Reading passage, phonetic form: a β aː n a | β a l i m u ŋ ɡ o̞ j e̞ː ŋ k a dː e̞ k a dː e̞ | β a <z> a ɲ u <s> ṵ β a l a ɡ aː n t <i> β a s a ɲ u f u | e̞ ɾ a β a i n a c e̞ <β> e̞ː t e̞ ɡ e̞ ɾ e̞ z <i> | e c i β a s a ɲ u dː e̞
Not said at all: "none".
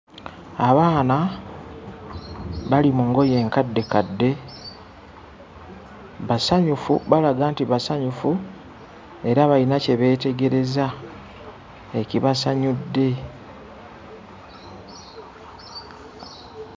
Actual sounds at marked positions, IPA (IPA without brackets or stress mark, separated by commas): s, f, i, β, a